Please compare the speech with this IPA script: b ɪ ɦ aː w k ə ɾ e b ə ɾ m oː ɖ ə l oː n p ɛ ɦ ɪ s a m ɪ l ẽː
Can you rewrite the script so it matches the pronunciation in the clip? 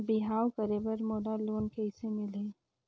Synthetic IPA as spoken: b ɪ ɦ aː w k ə ɾ e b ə ɾ m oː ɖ a l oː n k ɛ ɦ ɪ s e m ɪ l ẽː